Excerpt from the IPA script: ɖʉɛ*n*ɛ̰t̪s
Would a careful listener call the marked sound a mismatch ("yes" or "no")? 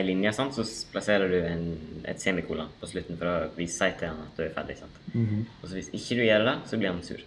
no